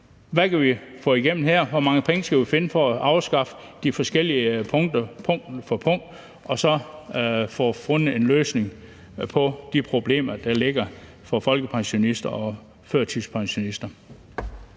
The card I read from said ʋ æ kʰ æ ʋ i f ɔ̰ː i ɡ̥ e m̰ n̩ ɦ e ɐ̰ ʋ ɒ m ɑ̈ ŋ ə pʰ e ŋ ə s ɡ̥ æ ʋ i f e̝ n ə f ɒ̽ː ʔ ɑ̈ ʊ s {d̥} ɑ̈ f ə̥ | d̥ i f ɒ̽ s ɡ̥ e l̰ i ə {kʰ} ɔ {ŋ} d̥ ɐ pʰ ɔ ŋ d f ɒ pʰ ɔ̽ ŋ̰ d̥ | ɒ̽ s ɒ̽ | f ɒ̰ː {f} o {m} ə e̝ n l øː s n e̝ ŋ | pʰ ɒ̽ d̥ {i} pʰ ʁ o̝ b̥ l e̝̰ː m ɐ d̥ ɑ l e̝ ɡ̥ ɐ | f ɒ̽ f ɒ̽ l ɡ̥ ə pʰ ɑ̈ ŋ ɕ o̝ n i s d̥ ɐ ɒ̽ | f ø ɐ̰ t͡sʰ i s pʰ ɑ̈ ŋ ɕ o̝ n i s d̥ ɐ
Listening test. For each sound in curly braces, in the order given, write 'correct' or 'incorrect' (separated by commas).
incorrect, incorrect, correct, correct, incorrect, correct